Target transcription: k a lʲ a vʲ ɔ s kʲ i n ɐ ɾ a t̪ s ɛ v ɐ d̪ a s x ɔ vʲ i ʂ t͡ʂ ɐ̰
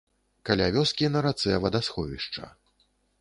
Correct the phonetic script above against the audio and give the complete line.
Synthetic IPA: k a lʲ a vʲ ɔ s kʲ i n ɐ ɾ a t̪ s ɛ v ɐ d̪ a s x ɔ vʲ i ʂ t͡ʂ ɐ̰